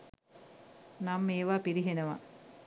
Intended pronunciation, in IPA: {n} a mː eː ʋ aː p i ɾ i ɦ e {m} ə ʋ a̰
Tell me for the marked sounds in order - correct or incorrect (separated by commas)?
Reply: correct, incorrect